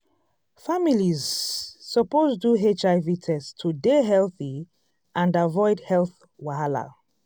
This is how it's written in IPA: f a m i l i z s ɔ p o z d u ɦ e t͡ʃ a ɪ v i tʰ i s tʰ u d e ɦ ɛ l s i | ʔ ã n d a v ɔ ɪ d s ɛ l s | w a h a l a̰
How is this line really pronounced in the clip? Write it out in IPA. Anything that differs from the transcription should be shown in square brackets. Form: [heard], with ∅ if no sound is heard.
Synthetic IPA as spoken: f a m i l i z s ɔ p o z d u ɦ e t͡ʃ a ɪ v i tʰ [ɛ] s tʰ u d e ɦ ɛ l [θ] i | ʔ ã n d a v ɔ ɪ d [h] ɛ l [θ] | w a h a l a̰